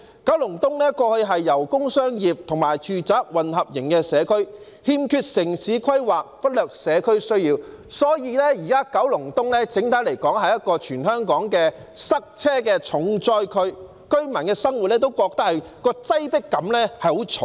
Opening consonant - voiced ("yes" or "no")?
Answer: no